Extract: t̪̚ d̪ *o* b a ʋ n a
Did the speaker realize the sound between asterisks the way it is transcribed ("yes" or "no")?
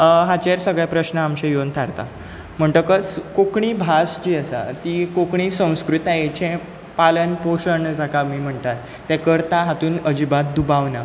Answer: no